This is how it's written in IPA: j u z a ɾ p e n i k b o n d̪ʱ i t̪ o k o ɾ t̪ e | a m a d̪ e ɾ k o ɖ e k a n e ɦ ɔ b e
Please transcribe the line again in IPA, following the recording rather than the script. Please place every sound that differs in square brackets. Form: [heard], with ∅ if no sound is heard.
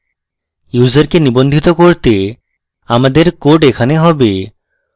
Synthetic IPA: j u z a ɾ [k] e n i [∅] b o n d̪ʱ i t̪ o k o ɾ t̪ e | a m a d̪ e ɾ k o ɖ e [kʰ] a n e ɦ ɔ b e